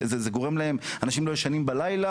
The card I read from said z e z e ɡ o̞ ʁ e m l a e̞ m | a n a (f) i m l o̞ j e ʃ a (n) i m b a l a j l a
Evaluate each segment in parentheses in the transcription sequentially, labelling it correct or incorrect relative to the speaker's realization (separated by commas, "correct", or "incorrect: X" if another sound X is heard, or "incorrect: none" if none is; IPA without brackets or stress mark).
incorrect: ʃ, correct